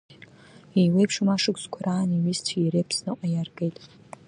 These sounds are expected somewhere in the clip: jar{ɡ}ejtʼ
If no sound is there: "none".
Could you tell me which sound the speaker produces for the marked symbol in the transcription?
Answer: ɡ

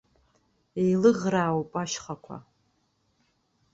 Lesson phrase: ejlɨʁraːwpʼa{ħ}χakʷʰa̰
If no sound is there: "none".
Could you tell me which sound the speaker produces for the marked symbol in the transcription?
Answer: ʃ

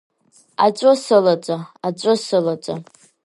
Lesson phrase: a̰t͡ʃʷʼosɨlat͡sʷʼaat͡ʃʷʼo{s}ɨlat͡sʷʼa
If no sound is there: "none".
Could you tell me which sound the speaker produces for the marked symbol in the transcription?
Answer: s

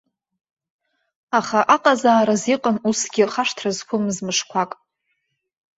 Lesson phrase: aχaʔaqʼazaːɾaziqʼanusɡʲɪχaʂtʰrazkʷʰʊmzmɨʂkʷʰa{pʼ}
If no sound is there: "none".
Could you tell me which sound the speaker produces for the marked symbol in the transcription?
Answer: kʼ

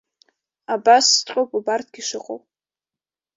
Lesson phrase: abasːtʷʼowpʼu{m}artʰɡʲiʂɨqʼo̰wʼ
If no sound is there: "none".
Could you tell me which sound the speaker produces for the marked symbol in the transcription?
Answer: b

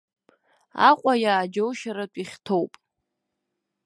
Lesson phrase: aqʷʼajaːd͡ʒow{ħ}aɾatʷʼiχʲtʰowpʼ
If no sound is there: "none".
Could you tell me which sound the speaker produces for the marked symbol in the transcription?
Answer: ʃ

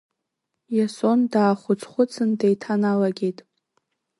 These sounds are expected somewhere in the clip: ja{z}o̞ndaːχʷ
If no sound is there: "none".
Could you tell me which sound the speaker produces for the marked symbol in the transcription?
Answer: s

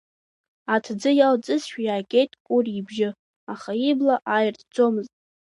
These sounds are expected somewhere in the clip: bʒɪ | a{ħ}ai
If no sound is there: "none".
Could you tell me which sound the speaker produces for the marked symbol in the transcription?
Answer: χ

